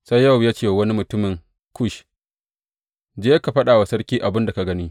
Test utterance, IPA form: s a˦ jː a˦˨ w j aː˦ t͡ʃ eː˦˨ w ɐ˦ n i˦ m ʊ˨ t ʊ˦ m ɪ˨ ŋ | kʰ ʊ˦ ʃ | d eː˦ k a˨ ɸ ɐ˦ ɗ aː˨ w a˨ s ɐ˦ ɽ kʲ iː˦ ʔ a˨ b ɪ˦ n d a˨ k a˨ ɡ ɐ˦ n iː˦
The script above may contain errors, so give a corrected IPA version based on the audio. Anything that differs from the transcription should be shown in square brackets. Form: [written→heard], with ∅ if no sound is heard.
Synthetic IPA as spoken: s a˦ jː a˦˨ w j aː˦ t͡ʃ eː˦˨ w ɐ˦ n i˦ m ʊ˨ t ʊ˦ m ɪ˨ ŋ | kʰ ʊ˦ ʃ | [d→d͡ʒ] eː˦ k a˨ ɸ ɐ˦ ɗ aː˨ w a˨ s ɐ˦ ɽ kʲ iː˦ ʔ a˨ b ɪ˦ n d a˨ k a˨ ɡ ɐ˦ n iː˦